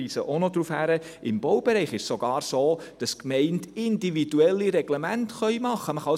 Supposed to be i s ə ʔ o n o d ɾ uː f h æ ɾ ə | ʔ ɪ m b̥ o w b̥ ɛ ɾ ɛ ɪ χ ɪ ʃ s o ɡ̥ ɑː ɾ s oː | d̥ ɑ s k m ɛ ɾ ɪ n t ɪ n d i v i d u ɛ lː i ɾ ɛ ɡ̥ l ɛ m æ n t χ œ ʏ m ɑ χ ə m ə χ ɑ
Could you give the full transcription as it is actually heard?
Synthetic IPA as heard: i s ə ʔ o n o d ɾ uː f h æ ɾ ə | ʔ ɪ m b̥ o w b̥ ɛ ɾ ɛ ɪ χ ɪ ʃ s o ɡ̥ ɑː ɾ s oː | d̥ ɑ s k m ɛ ɪ n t ɪ n d i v i d u ɛ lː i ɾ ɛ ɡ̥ l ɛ m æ n t χ œ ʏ m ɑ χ ə m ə χ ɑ